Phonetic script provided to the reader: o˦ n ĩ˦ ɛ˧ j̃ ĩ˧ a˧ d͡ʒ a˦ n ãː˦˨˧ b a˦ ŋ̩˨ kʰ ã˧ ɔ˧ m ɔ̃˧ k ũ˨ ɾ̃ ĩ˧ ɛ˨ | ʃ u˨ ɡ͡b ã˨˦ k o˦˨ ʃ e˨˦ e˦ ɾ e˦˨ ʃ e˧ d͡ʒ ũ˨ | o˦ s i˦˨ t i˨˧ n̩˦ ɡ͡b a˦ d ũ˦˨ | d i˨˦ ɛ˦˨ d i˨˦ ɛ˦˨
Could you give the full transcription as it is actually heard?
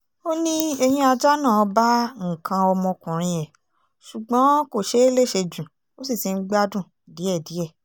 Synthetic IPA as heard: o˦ n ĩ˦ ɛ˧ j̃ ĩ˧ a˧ d͡ʒ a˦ n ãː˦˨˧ b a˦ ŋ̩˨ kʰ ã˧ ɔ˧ m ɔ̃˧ k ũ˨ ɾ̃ ĩ˧ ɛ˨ | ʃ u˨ ɡ͡b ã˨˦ k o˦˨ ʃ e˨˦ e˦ l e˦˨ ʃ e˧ d͡ʒ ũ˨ | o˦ s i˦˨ t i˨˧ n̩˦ ɡ͡b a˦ d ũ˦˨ | d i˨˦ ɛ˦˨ d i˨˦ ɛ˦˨